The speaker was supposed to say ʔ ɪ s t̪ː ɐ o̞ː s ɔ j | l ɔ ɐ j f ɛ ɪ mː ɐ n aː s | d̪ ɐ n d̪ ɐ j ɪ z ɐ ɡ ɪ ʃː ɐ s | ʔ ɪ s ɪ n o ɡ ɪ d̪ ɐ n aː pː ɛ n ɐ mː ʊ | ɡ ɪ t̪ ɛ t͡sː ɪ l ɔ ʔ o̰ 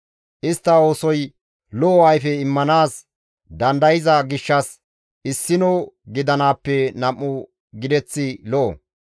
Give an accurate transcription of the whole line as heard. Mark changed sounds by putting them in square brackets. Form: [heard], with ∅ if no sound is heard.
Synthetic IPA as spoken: ʔ ɪ s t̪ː ɐ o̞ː s ɔ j | l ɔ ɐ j f ɛ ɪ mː ɐ n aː s | d̪ ɐ n d̪ ɐ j ɪ z ɐ ɡ ɪ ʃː ɐ s | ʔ ɪ [sː] ɪ n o ɡ ɪ d̪ ɐ n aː pː ɛ n ɐ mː ʊ | ɡ ɪ [d̪] ɛ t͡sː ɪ l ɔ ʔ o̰

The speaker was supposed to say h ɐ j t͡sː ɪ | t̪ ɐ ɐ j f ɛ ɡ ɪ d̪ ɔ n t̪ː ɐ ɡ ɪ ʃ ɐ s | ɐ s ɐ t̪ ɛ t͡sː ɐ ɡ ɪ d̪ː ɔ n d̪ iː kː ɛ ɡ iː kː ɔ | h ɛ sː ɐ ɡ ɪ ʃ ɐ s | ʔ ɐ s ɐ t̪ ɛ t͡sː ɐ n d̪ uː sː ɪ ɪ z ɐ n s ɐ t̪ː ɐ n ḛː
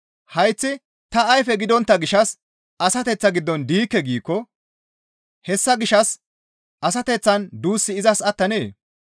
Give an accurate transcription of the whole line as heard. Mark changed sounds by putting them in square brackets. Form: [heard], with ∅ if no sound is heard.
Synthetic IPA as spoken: h ɐ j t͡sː ɪ | t̪ ɐ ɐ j f ɛ ɡ ɪ d̪ ɔ n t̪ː ɐ ɡ ɪ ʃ ɐ s | ɐ s ɐ t̪ ɛ t͡sː ɐ ɡ ɪ d̪ː ɔ n d̪ iː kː ɛ ɡ iː kː ɔ | h ɛ sː ɐ ɡ ɪ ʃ ɐ s | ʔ ɐ s ɐ t̪ ɛ t͡sː ɐ n d̪ uː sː ɪ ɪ z ɐ [∅] s ɐ t̪ː ɐ n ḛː

